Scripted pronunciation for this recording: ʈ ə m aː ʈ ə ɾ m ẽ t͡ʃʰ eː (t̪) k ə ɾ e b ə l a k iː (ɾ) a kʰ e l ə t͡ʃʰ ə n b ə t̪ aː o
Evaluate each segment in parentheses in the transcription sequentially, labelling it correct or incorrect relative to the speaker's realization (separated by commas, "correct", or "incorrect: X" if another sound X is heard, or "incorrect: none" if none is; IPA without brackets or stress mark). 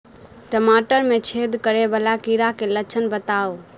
incorrect: d̪, correct